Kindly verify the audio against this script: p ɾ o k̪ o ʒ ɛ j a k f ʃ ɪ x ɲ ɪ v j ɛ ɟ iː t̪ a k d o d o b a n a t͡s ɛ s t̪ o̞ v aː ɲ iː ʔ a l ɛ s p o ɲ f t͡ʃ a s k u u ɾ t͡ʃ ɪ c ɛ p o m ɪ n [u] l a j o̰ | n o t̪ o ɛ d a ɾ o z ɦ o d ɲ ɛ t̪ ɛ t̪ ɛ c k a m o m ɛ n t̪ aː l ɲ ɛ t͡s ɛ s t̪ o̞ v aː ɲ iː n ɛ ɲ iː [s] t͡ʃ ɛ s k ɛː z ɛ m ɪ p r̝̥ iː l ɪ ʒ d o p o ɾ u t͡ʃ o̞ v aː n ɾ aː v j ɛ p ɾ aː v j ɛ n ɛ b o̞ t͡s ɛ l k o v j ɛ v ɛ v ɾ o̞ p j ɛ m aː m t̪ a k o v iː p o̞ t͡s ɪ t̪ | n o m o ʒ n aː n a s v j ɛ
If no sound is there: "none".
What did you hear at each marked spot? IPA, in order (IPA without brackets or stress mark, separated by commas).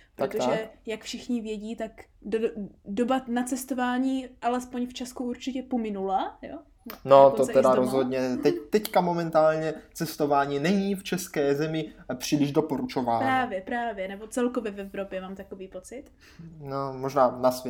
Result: u, f